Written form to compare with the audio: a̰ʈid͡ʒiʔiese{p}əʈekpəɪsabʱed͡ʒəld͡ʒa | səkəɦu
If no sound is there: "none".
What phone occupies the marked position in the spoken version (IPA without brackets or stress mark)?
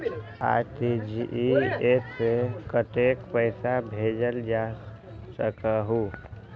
k